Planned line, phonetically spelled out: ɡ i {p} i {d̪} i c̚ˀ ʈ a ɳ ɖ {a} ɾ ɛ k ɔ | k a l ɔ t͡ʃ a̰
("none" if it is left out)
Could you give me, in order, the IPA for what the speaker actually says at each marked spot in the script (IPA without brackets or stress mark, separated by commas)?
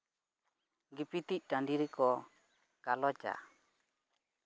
p, t̪, i